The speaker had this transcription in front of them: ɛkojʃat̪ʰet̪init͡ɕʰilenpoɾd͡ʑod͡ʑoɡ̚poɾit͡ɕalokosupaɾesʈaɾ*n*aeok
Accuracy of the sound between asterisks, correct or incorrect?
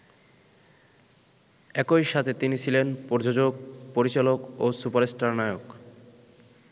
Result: correct